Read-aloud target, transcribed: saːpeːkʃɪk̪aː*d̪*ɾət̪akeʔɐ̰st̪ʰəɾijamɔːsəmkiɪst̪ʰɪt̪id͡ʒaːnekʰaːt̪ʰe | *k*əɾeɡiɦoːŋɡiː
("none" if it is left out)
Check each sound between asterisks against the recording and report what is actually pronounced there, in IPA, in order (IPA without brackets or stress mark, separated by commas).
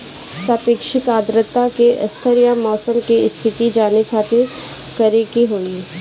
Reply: d̪, k